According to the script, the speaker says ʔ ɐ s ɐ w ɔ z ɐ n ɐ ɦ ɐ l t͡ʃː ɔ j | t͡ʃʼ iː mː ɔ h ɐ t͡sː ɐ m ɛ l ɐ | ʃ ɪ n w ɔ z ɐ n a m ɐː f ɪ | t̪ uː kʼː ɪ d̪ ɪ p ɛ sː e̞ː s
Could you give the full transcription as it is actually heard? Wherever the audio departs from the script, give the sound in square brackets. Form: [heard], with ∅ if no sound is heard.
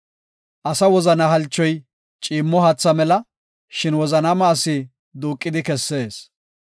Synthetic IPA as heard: ʔ ɐ s ɐ w ɔ z ɐ n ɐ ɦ ɐ l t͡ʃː ɔ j | t͡ʃʼ iː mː ɔ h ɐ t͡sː ɐ m ɛ l ɐ | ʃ ɪ n w ɔ z ɐ n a m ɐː [s] ɪ | [d̪] uː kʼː ɪ d̪ ɪ [k] ɛ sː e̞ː s